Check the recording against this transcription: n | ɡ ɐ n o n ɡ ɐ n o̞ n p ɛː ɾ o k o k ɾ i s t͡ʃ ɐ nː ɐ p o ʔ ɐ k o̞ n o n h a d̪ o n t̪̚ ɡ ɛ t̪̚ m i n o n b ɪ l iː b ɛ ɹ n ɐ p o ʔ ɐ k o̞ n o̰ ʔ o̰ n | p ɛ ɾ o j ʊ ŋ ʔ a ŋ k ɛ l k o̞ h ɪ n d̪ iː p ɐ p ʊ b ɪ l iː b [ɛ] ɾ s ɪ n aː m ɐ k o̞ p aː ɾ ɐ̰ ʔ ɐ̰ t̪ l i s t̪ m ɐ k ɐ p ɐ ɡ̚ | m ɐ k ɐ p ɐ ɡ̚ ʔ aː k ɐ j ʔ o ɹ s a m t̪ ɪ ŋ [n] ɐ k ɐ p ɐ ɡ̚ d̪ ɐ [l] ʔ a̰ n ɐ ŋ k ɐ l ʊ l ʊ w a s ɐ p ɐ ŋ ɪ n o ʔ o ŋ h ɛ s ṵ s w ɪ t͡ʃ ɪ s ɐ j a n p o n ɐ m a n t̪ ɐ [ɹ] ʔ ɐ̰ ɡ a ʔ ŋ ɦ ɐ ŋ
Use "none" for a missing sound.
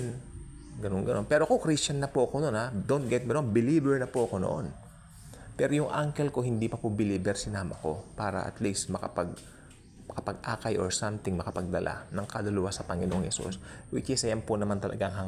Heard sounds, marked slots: ɛ, m, l, l

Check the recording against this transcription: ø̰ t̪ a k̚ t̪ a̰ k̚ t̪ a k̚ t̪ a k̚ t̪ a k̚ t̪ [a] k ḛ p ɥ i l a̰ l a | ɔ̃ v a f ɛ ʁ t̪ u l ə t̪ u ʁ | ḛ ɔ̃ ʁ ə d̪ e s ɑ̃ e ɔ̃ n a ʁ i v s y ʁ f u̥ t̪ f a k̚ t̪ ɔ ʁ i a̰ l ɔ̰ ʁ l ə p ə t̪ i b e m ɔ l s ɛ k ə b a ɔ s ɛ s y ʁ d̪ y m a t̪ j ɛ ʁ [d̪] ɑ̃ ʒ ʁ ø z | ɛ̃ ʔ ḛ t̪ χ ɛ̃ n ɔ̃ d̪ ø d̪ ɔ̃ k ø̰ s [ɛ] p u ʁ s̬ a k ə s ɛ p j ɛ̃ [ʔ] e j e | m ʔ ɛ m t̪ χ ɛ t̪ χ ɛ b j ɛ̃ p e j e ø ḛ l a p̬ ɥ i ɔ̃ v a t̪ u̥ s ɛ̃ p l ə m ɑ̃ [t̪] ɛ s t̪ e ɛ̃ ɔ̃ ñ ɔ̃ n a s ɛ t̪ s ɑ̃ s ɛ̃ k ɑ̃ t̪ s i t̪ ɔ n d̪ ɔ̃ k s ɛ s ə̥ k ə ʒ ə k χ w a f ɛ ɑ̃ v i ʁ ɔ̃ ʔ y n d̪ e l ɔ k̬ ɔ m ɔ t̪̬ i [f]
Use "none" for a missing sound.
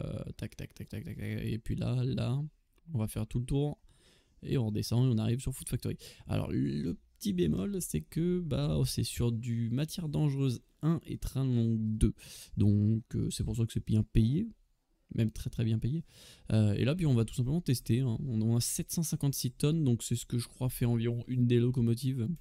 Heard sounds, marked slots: a, d̪, ɛ, p, t̪, v

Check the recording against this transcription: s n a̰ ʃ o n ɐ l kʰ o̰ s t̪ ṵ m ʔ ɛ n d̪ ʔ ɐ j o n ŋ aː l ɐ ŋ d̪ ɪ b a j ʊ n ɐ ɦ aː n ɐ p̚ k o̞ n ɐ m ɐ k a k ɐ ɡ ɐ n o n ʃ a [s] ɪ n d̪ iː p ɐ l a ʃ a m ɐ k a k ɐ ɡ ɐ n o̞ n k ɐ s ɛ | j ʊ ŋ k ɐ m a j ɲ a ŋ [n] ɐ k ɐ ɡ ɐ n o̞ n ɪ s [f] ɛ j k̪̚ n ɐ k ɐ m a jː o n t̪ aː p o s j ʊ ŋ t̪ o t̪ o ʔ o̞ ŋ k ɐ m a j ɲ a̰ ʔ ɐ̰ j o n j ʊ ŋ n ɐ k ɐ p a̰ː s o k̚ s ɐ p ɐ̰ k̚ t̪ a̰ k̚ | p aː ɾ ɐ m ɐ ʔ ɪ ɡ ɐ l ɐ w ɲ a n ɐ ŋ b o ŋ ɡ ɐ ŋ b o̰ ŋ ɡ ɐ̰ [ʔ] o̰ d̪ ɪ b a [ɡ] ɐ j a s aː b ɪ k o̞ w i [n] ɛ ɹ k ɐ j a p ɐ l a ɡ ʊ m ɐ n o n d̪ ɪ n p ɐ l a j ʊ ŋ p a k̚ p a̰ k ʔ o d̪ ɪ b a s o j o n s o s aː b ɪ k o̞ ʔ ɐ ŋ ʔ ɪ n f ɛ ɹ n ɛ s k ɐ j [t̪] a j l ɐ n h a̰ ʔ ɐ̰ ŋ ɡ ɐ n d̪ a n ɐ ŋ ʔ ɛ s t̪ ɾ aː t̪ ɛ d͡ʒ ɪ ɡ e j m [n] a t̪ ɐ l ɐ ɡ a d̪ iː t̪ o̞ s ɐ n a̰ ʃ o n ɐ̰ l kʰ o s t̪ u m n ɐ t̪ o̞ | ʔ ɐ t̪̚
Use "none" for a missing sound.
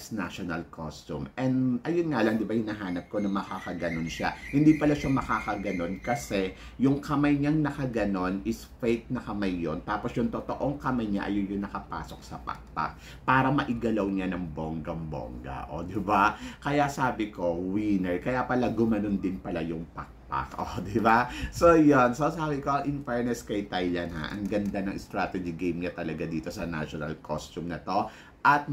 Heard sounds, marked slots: h, n, f, ʔ, k, n, t̪, ɲ

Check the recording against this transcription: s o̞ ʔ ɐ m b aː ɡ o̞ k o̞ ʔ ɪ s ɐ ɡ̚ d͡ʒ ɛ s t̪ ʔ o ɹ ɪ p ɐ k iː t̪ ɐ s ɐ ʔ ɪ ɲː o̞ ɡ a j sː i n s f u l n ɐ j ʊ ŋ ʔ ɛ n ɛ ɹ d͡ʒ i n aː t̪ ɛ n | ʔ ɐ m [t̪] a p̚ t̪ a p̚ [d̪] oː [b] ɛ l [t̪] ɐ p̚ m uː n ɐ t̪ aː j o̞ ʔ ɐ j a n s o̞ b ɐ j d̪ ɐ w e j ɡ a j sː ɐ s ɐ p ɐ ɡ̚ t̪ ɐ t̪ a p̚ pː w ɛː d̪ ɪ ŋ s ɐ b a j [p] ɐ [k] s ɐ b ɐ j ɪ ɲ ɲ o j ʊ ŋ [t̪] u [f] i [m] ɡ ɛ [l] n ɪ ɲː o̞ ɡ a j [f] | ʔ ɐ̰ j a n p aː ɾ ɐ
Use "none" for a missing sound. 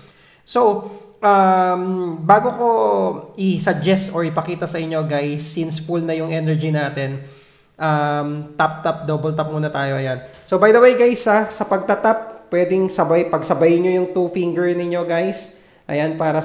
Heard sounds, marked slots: t̪, d̪, b, t̪, p, ɡ, t̪, f, ŋ, ɹ, s

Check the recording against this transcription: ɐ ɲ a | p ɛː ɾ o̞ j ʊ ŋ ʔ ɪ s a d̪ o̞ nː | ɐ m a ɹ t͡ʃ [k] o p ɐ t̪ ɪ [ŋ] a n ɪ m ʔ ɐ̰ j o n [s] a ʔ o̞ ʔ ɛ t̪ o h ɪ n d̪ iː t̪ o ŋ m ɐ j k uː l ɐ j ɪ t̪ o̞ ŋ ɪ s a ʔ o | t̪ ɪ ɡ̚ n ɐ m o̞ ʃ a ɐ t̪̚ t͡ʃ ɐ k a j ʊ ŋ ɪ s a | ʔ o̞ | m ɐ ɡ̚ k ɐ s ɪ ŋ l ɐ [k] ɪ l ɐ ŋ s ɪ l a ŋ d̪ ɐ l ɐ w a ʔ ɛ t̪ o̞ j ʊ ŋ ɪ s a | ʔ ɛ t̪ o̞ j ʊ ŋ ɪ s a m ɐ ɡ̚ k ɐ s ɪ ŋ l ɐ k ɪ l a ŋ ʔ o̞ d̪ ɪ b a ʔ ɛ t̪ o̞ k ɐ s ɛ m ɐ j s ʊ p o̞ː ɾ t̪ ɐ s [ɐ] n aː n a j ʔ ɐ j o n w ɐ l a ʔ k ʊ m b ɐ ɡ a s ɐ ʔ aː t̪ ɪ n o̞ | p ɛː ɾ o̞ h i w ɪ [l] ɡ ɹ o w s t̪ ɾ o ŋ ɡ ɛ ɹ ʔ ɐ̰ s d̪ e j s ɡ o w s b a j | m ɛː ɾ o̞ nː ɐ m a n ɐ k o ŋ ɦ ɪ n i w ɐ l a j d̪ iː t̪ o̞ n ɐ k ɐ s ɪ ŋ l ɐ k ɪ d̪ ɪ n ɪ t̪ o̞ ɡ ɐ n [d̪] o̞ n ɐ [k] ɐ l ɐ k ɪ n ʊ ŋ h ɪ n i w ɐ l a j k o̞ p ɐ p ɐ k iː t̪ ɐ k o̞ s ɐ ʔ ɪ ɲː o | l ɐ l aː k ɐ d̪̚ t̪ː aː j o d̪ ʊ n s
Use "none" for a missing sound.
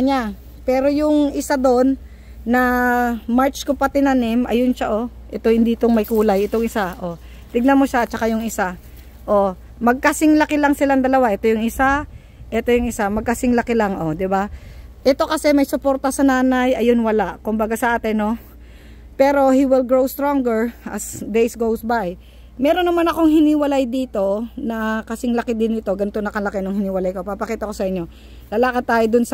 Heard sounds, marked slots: k, n, ʃ, k, ɐ, l, t̪, k

